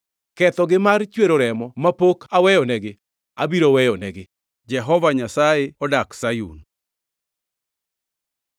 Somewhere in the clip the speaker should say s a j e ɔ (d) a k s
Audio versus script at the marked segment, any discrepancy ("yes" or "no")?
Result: no